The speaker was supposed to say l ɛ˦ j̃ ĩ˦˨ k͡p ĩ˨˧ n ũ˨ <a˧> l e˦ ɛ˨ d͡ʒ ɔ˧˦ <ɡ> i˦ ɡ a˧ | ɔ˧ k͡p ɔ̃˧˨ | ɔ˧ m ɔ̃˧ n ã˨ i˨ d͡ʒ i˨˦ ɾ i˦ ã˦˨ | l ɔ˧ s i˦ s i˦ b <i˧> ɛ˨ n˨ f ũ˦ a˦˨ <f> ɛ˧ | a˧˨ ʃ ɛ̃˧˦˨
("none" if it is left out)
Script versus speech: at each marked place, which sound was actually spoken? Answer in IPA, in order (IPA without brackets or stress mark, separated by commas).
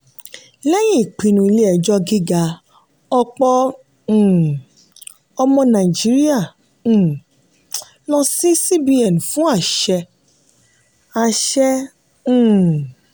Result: i˧, ɡ, i˧, ʃ